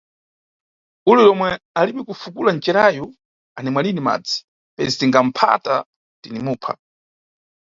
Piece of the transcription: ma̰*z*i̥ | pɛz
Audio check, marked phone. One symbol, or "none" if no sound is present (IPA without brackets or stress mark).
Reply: d͡z